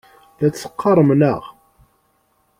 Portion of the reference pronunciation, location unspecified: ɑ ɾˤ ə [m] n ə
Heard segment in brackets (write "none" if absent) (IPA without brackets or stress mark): m